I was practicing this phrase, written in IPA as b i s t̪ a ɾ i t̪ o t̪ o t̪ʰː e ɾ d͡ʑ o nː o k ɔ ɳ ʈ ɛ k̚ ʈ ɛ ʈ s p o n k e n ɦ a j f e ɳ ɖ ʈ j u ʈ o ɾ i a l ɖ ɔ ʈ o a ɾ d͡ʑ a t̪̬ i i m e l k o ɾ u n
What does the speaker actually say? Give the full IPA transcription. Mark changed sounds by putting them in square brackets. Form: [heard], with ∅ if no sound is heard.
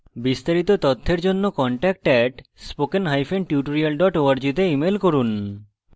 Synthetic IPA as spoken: b i s t̪ a ɾ i t̪ o t̪ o t̪ʰː e ɾ d͡ʑ o nː o k ɔ ɳ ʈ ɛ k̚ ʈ ɛ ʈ s p o [∅] k e n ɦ a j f e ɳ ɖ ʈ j u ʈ o ɾ i a l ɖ ɔ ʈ o a ɾ d͡ʑ [i] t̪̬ [e] i m e l k o ɾ u n

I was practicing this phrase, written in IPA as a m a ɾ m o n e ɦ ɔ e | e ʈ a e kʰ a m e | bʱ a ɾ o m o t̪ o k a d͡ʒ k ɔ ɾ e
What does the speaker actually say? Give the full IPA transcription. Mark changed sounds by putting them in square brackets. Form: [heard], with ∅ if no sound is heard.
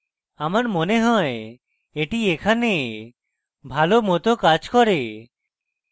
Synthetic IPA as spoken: a m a ɾ m o n e ɦ ɔ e | e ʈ [i] e kʰ a [n] e | bʱ a [l] o m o t̪ o k a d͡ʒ k ɔ ɾ e

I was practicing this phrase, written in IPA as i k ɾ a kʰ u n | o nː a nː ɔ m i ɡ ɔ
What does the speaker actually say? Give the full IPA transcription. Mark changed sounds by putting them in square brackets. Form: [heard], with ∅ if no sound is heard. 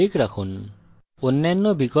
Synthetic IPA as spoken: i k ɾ a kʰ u n | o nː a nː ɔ [b] i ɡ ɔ

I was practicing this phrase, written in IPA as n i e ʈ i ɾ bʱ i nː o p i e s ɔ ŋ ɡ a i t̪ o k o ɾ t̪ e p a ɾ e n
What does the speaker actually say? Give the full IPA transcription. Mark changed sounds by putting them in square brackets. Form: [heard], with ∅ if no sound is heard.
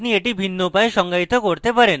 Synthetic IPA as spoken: n i e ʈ i [∅] bʱ i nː o p [a] e [ʃ] ɔ ŋ ɡ a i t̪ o k o ɾ t̪ e p a ɾ e n

